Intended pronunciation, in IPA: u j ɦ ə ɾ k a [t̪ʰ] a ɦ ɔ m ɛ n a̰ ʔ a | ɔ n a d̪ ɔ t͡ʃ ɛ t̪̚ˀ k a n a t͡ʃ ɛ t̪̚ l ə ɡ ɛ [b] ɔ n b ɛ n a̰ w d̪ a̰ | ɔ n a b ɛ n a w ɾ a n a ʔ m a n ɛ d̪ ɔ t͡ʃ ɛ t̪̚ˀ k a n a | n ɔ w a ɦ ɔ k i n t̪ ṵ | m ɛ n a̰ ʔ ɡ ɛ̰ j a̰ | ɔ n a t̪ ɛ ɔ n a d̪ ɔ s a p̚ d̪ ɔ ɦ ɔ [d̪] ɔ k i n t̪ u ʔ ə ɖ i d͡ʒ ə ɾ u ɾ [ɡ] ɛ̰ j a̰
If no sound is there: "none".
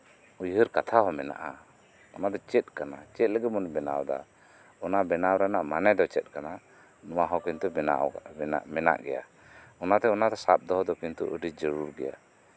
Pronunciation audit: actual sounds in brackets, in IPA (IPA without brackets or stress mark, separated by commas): t̪ʰ, m, d̪, ɡ